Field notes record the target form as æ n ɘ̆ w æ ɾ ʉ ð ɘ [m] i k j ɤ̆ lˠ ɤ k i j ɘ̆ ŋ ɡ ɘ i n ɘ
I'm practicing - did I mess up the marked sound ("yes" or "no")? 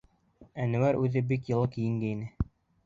yes